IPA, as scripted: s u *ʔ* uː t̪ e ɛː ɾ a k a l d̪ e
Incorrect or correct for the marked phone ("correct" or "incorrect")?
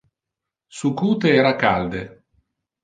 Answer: incorrect